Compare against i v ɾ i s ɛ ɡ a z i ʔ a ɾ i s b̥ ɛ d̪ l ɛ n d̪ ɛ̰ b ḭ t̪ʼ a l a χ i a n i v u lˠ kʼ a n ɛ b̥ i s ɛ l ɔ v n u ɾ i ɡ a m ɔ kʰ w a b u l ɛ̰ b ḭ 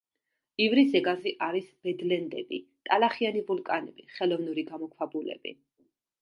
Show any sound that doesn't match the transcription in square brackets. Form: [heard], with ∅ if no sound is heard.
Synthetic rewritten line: i v ɾ i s ɛ ɡ a z i ʔ a ɾ i s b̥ ɛ d̪ l ɛ n d̪ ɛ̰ b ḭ t̪ʼ a l a χ i a n i v u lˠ kʼ a n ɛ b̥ i [χ] ɛ l ɔ v n u ɾ i ɡ a m ɔ kʰ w a b u l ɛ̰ b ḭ